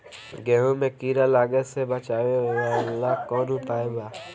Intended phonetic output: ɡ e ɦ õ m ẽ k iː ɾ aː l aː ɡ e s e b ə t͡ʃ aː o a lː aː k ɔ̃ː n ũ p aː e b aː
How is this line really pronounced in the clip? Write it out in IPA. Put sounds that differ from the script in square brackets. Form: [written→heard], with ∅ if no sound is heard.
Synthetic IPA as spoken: ɡ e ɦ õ m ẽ k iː ɾ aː l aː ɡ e s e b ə t͡ʃ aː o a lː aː k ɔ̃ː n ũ p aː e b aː

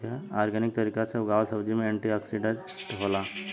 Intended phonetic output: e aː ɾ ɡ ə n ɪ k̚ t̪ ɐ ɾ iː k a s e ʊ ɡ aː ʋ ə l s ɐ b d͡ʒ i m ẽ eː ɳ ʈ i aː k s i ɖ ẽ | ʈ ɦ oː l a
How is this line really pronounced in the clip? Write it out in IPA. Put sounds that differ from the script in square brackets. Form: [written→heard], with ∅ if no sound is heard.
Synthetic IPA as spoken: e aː ɾ ɡ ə n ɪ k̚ t̪ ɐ ɾ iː k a s e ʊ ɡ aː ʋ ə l s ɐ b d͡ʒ i m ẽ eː ɳ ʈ i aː k s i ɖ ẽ | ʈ ɦ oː l a

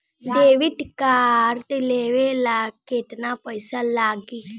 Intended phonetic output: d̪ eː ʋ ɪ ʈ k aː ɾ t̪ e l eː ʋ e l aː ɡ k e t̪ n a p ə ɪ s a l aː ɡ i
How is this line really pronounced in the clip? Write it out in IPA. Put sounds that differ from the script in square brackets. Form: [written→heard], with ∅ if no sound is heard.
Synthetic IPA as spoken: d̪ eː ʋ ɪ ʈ k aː ɾ t̪ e l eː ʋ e l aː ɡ k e t̪ n a p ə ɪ s a l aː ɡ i

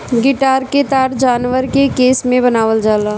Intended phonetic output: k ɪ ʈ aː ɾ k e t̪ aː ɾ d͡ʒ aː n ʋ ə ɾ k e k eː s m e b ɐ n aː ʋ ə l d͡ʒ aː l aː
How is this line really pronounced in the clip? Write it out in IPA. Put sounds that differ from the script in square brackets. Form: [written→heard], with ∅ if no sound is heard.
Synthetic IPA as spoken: [k→ɡ] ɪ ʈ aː ɾ k e t̪ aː ɾ d͡ʒ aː n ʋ ə ɾ k e k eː s m [e→ẽ] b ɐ n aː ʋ ə l d͡ʒ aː l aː

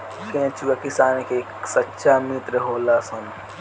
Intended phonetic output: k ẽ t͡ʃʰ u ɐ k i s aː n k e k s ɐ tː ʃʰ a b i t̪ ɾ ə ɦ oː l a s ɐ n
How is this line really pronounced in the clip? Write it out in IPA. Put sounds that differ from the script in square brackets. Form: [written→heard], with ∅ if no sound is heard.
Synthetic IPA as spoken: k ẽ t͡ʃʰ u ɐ k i s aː n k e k s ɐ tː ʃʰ a [b→m] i t̪ ɾ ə ɦ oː l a s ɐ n

